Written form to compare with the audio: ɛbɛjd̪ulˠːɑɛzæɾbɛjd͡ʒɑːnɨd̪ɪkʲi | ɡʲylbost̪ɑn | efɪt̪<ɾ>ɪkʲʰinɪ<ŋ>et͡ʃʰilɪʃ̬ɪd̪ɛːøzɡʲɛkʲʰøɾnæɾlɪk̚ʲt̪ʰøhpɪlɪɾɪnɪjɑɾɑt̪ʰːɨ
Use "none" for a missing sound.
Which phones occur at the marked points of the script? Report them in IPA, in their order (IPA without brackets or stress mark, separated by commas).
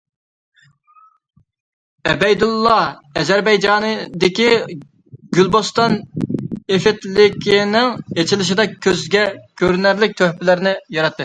l, ŋ